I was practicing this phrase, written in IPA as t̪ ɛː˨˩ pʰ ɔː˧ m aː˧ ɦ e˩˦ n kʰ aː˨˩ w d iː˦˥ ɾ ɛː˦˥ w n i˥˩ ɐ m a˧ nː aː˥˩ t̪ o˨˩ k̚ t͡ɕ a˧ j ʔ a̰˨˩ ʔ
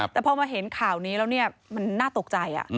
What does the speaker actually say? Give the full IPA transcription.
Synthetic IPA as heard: t̪ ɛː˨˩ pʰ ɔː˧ m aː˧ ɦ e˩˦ n kʰ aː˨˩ w n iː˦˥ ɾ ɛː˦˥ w n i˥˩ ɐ m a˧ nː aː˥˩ t̪ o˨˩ k̚ t͡ɕ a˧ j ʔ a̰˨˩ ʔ